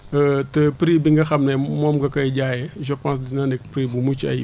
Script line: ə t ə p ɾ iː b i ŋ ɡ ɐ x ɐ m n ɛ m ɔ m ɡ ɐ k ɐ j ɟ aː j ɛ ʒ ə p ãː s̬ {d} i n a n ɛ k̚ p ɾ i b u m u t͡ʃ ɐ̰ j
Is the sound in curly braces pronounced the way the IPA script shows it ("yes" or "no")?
yes